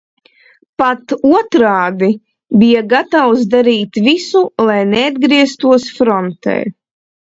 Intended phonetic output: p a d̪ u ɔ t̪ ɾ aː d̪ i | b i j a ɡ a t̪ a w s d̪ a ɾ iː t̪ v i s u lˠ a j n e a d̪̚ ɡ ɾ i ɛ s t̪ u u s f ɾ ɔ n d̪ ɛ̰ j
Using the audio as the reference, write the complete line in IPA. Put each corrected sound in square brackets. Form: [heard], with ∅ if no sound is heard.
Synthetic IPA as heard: p a [t̪] u ɔ t̪ ɾ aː d̪ i | b i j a ɡ a t̪ a w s d̪ a ɾ iː t̪ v i s u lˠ a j n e a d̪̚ ɡ ɾ i ɛ s t̪ u [ɔ] s f ɾ ɔ n [t̪] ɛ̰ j